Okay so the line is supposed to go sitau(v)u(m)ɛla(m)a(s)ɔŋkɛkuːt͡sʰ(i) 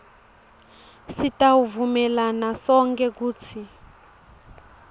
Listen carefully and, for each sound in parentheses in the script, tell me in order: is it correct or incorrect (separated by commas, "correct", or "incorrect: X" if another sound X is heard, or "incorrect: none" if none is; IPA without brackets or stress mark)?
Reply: correct, correct, incorrect: n, correct, correct